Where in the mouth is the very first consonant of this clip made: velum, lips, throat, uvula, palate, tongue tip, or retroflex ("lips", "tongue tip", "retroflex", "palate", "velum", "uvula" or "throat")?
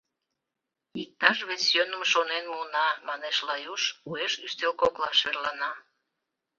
velum